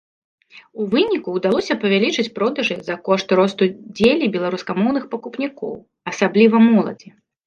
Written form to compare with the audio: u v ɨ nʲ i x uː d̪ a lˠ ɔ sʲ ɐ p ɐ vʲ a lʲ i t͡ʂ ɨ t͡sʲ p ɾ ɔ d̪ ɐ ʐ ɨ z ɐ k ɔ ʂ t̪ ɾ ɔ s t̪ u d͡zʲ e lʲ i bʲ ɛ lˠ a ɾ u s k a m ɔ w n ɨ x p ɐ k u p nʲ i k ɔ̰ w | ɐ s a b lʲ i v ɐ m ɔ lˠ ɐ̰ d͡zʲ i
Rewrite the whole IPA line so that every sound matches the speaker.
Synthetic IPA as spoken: u v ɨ nʲ i k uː d̪ a lˠ ɔ sʲ ɐ p ɐ vʲ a lʲ i t͡ʂ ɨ t͡sʲ p ɾ ɔ d̪ ɐ ʐ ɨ z ɐ k ɔ ʂ t̪ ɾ ɔ s t̪ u d͡zʲ e lʲ i bʲ ɛ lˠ a ɾ u s k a m ɔ w n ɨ x p ɐ k u p nʲ i k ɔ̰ w | ɐ s a b lʲ i v ɐ m ɔ lˠ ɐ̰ d͡zʲ i